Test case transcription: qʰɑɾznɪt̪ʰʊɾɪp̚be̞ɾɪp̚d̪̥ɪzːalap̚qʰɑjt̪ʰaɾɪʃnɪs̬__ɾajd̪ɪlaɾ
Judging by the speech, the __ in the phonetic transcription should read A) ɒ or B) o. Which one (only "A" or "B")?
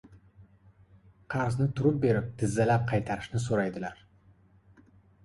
B